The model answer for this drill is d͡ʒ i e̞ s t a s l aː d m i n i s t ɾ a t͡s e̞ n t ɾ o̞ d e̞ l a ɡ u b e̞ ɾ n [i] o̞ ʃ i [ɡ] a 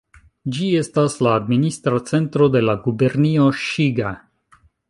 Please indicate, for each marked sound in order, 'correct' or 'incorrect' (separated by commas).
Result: correct, correct